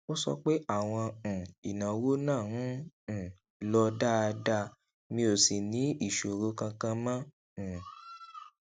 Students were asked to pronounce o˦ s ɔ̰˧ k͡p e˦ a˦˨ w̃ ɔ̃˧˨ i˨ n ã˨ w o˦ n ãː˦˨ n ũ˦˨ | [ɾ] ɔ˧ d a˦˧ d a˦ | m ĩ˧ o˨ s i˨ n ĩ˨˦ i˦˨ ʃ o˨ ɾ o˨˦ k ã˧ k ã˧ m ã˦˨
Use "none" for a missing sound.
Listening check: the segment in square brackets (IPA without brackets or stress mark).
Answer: l